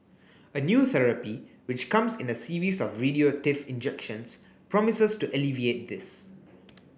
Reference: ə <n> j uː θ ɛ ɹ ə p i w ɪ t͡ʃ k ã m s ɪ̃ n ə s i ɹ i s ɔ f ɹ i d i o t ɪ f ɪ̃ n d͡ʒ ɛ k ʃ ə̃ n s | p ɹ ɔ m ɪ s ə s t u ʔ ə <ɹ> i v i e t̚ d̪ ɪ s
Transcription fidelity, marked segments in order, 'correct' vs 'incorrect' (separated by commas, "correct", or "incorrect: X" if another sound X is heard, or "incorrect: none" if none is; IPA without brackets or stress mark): correct, incorrect: l